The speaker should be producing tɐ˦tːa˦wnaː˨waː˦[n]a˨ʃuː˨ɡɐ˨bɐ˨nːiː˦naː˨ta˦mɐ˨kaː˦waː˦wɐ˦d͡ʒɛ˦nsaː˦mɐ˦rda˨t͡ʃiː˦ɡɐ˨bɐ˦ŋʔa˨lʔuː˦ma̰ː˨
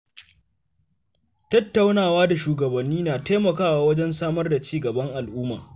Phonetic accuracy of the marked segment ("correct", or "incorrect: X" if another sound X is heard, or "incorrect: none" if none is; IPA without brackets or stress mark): incorrect: d